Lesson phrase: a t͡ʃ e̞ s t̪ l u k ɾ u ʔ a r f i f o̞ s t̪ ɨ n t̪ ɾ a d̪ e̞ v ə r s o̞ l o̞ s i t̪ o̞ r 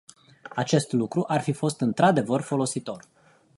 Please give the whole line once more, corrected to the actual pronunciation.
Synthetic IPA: a t͡ʃ e̞ s t̪ l u k ɾ u ʔ a r f i f o̞ s t̪ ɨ n t̪ ɾ a d̪ e̞ v ə r f o̞ l o̞ s i t̪ o̞ r